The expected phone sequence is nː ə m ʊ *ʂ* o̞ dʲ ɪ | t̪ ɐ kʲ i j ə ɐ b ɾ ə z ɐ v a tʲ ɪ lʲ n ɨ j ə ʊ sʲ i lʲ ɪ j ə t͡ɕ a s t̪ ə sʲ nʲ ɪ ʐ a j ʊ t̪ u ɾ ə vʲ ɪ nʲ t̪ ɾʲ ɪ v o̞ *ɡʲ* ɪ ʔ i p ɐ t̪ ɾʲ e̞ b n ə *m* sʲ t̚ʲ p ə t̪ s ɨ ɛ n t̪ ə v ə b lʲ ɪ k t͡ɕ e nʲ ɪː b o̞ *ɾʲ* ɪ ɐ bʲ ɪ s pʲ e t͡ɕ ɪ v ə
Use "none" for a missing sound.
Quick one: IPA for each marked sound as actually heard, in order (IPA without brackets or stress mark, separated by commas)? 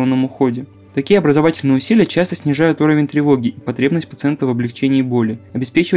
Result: x, ɡʲ, none, lʲ